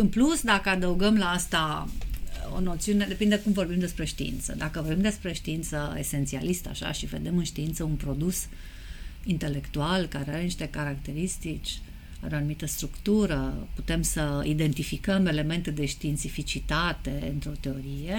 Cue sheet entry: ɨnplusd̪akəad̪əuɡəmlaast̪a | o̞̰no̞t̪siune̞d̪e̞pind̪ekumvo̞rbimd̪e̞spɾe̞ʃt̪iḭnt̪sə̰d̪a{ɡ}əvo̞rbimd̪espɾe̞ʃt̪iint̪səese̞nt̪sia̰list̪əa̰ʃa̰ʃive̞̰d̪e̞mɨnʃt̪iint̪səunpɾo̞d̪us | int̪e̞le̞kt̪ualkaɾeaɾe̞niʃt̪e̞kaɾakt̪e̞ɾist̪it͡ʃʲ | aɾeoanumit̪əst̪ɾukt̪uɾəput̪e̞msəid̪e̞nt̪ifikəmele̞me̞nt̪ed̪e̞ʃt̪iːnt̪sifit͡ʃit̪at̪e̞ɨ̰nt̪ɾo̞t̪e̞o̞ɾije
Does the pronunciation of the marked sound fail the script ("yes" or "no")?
yes